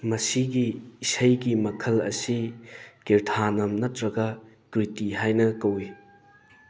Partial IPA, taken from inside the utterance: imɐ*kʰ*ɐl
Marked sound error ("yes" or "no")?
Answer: no